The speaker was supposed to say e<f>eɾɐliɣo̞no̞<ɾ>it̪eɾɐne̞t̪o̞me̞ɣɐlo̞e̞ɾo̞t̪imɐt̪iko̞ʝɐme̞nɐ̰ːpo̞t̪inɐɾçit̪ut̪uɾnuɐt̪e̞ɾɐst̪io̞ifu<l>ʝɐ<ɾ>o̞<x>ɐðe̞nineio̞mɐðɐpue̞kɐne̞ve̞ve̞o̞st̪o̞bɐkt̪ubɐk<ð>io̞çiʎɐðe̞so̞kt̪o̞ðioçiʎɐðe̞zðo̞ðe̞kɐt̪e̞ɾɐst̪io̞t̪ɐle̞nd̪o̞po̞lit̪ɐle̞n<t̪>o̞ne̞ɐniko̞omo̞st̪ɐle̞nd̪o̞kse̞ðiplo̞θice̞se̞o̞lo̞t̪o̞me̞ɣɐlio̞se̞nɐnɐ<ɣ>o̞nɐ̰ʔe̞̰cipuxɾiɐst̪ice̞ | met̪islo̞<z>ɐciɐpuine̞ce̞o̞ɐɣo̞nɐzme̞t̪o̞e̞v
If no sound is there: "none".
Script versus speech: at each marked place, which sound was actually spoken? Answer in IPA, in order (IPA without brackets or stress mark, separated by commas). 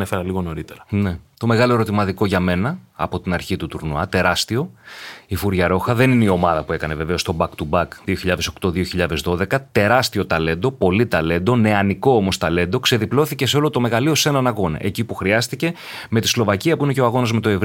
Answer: f, ɾ, ɾ, ɾ, x, ð, d̪, ɣ, v